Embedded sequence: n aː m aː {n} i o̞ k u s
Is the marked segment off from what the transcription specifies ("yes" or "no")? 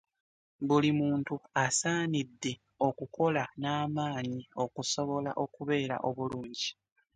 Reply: yes